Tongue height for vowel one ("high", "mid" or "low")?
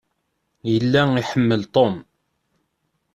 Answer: mid